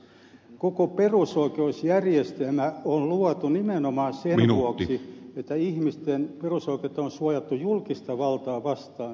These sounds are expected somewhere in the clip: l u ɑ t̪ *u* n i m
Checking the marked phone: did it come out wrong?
no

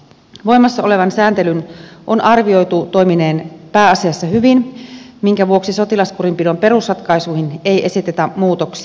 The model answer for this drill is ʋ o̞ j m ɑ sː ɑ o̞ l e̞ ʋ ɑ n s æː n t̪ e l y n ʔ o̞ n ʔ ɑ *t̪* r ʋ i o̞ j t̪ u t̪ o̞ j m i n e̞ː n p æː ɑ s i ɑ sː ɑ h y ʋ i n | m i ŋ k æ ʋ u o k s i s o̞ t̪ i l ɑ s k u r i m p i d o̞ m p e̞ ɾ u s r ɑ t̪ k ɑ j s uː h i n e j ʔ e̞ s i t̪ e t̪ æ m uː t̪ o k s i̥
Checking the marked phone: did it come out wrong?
yes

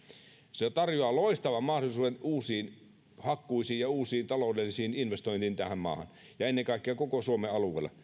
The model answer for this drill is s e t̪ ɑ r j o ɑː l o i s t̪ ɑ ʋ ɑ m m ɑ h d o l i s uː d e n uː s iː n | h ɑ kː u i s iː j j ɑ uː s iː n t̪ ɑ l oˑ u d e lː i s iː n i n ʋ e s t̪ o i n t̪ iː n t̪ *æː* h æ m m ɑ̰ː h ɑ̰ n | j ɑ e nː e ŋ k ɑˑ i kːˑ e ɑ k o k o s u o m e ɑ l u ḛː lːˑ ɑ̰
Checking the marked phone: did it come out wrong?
yes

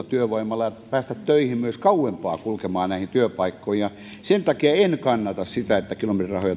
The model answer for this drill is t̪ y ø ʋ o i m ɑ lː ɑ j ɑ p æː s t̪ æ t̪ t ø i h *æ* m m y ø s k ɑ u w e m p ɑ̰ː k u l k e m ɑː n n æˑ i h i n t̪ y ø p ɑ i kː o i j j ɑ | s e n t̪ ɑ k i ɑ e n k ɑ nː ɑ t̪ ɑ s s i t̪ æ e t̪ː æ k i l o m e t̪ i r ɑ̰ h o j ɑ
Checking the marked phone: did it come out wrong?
yes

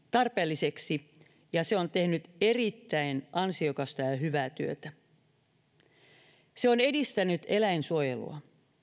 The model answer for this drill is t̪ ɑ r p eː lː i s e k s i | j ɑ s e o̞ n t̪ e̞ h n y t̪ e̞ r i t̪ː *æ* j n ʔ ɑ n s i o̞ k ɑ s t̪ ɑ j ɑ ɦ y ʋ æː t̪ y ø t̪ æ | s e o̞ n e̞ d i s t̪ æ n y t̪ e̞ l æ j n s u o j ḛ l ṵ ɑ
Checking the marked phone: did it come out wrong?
no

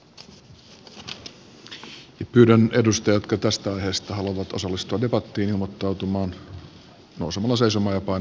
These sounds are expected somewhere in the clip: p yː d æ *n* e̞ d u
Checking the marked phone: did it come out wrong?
no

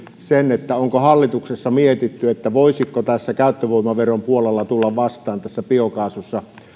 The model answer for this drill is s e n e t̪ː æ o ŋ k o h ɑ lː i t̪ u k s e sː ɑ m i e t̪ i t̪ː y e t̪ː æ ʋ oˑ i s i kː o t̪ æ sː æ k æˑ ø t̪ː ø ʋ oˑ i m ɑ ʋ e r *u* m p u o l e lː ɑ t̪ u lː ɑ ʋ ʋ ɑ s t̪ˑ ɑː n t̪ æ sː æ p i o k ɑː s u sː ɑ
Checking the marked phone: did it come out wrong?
yes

